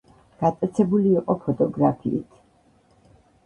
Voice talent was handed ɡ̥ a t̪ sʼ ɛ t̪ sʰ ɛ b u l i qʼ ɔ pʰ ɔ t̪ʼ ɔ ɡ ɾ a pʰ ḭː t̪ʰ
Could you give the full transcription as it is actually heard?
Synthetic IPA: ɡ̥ a t̪ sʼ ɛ t̪ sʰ ɛ b u l iː qʼ ɔ pʰ ɔ t̪ʼ ɔ ɡ ɾ a pʰ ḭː t̪ʰ